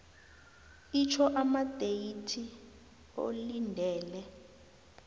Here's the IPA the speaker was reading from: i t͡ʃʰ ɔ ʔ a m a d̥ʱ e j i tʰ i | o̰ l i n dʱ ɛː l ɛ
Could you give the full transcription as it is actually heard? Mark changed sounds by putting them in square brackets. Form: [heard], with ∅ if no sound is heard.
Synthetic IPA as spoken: i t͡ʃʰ ɔ ʔ a m a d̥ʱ e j i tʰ i | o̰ l i n dʱ ɛː l ɛ